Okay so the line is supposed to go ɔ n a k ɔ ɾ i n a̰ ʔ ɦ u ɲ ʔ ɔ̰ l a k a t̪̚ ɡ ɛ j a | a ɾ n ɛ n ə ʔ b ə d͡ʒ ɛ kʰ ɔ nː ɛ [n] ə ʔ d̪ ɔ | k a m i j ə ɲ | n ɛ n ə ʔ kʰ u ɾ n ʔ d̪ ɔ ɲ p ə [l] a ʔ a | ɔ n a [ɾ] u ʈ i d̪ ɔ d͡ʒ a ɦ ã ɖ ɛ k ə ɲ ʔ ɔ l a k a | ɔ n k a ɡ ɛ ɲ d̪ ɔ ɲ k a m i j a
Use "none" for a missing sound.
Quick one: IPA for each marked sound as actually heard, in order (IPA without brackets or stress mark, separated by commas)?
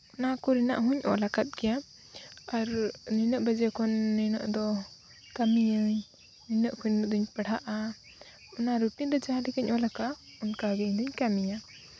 n, ɽ, ɾ